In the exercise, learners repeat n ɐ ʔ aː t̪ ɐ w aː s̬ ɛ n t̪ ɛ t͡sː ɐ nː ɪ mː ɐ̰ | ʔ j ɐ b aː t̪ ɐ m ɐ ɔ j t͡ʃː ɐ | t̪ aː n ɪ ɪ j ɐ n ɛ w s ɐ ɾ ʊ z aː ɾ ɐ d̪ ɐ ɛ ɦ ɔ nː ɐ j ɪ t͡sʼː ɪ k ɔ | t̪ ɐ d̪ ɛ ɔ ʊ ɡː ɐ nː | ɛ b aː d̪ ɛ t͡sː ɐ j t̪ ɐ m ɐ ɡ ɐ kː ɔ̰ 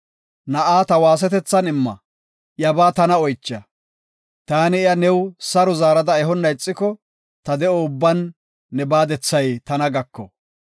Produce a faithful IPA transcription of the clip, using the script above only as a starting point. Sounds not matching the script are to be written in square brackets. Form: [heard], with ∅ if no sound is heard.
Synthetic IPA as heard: n ɐ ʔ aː t̪ ɐ w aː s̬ ɛ [∅] t̪ ɛ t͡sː ɐ [n] ɪ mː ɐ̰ | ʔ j ɐ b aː t̪ ɐ [n] ɐ ɔ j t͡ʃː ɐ | t̪ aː n ɪ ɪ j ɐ n ɛ w s ɐ ɾ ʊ z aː ɾ ɐ d̪ ɐ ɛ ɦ ɔ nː ɐ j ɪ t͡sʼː ɪ k ɔ | t̪ ɐ d̪ ɛ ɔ ʊ [bː] ɐ nː | ɛ b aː d̪ ɛ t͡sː ɐ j t̪ ɐ [n] ɐ ɡ ɐ kː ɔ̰